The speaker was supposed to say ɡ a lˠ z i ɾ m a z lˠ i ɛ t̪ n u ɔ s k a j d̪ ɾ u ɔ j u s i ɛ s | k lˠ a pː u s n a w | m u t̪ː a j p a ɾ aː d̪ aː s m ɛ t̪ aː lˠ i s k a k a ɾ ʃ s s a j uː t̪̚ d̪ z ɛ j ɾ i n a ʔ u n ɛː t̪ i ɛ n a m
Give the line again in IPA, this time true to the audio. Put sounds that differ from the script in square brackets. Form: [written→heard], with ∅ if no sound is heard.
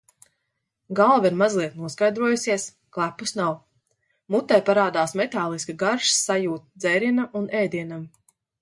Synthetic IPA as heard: ɡ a lˠ [z→v] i ɾ m a z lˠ i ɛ t̪ n u ɔ s k a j d̪ ɾ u ɔ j u s i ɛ s | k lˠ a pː u s n a w | m u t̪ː a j p a ɾ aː d̪ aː s m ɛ t̪ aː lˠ i s k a [k→ɡ] a ɾ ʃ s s a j uː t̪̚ d̪ z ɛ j ɾ i n a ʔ u n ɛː [t̪→d̪] i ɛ n a m